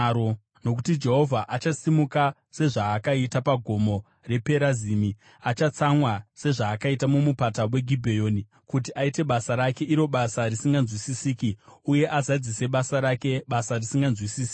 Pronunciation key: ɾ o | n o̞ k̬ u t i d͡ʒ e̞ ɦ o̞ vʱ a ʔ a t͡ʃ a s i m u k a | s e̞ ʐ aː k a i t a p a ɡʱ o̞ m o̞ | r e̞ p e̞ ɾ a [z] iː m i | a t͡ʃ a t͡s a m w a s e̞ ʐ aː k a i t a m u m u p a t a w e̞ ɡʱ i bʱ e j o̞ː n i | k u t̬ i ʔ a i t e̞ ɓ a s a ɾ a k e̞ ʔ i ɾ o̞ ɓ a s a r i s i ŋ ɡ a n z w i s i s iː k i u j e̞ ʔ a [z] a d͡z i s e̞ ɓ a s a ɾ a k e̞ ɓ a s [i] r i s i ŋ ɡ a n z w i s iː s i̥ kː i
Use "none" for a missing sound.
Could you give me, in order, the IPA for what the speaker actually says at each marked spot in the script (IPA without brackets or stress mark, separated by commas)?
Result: z, z, a